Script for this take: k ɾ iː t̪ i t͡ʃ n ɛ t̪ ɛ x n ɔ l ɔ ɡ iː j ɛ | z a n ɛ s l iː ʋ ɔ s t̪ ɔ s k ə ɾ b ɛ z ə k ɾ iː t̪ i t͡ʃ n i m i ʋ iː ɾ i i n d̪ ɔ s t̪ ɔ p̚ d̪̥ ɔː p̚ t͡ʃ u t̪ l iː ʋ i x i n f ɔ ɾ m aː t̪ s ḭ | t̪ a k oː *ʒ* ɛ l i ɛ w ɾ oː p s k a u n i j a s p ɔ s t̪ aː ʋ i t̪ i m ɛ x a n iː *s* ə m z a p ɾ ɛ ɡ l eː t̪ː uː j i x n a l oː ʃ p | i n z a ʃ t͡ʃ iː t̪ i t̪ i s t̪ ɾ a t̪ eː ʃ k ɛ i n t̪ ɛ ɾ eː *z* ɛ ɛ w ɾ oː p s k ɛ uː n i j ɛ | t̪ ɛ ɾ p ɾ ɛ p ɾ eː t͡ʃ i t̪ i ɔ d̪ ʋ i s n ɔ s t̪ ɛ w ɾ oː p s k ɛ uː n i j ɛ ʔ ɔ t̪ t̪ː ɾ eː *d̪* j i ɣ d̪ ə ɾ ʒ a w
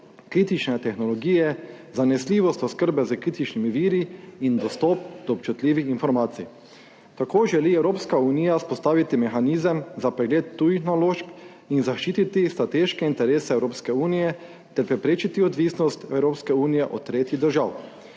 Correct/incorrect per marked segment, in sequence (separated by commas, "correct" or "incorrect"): correct, incorrect, incorrect, incorrect